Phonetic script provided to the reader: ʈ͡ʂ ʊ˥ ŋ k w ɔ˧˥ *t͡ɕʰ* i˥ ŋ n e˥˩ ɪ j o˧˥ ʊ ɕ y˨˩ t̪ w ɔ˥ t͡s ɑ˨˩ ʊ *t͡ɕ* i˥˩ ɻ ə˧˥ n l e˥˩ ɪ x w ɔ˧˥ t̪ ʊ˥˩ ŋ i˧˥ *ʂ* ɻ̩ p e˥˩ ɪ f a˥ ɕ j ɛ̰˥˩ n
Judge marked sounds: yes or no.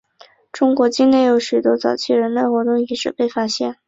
no, no, yes

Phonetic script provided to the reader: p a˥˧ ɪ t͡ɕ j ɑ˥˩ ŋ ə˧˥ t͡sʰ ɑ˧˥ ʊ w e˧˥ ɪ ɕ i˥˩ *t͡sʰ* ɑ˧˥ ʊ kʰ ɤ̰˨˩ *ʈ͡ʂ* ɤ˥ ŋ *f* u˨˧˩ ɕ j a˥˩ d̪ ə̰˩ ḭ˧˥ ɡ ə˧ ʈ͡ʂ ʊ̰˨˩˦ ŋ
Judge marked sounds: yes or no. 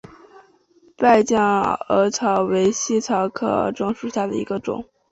yes, yes, no

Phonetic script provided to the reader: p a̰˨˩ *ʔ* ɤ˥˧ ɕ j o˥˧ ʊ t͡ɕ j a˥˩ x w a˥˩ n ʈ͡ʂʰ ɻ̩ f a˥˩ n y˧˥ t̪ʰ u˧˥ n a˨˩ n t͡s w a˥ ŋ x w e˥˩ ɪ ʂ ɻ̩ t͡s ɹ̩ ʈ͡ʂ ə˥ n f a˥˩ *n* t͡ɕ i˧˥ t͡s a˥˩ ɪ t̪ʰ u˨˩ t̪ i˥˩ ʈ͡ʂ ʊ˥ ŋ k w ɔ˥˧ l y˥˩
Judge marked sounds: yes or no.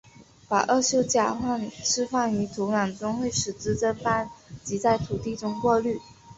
yes, yes

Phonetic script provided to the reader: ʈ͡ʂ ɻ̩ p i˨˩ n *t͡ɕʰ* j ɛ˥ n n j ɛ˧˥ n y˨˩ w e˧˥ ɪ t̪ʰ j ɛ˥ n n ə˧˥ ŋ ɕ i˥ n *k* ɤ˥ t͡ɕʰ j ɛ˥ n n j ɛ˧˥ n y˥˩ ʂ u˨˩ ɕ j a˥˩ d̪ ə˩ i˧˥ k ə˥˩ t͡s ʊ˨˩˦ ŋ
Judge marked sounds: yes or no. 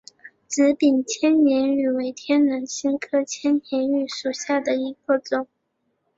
yes, no

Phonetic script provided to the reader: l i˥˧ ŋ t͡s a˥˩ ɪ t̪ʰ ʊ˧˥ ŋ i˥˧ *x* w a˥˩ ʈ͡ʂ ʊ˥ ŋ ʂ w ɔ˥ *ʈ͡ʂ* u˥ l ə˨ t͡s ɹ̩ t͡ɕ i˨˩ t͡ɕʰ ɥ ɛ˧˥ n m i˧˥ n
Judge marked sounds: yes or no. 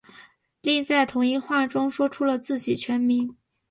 yes, no

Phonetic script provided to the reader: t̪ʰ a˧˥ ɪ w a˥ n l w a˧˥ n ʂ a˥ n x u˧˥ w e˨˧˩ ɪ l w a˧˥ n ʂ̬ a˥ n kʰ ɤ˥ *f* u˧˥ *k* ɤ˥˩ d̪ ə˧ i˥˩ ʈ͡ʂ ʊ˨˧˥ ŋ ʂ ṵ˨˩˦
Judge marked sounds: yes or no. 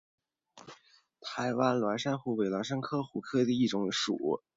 no, no

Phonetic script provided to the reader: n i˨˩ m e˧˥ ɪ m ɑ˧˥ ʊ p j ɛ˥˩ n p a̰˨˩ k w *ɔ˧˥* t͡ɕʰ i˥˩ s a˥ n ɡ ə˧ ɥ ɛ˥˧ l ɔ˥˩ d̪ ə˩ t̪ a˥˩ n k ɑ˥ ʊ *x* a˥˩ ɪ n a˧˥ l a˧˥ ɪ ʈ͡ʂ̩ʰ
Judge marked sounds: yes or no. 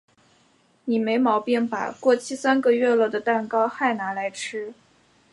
no, yes

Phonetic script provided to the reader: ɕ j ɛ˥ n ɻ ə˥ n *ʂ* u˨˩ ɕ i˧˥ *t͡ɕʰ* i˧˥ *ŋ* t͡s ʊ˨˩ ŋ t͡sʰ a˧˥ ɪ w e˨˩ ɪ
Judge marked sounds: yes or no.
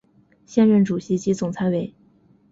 no, no, no

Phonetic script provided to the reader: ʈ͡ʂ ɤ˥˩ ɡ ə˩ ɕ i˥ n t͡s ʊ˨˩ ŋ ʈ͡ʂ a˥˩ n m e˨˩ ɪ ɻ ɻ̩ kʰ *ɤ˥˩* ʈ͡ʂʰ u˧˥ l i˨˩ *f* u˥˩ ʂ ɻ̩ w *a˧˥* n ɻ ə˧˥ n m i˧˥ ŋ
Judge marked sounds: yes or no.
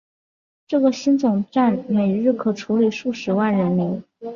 no, no, no

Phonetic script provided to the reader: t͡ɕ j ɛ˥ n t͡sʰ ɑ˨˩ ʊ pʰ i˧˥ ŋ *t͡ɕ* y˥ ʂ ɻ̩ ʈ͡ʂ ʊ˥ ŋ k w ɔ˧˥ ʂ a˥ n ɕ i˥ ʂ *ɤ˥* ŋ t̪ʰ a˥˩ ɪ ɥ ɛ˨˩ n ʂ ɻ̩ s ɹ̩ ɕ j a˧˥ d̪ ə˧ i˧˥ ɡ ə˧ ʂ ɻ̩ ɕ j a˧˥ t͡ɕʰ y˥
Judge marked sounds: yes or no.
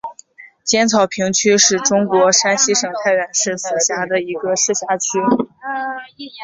no, no

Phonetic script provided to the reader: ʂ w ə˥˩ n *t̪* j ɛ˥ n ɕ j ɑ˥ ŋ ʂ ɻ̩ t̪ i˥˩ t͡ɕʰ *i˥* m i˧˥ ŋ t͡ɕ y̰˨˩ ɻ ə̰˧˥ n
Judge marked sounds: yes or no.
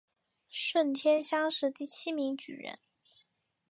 no, yes

